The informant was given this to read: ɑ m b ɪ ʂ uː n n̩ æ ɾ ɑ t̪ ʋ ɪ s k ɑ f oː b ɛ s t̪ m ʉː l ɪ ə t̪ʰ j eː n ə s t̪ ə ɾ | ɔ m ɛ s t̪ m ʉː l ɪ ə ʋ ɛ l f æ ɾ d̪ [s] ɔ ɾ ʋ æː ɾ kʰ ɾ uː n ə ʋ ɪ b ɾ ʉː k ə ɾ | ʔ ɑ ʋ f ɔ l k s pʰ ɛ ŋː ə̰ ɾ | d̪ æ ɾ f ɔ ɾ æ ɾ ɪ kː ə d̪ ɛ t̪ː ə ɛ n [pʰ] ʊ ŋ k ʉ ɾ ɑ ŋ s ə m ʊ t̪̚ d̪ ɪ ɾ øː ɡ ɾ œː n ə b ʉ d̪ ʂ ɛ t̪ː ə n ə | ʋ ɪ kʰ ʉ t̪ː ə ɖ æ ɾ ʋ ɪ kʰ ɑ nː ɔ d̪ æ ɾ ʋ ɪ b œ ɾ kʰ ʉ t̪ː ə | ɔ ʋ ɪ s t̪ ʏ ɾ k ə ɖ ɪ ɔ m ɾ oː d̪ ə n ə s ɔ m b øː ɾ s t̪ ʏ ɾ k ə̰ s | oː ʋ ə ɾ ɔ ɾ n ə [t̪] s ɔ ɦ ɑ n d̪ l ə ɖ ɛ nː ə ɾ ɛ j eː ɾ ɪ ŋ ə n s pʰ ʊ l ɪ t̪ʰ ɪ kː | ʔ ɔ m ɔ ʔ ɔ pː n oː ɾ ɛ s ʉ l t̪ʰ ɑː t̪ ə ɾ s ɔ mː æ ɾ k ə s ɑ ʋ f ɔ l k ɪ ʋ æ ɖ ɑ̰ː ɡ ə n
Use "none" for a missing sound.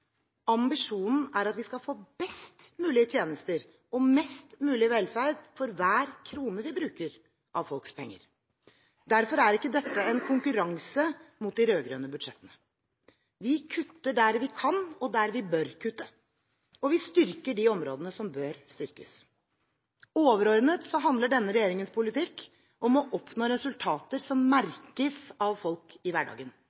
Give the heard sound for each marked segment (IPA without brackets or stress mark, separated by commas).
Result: f, kʰ, t̪